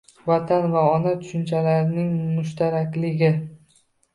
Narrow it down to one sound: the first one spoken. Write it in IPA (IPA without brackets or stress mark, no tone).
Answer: v